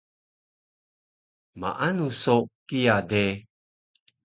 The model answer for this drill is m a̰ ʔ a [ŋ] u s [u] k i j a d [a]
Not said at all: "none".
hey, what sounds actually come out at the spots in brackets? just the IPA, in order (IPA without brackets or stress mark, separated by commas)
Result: n, o, e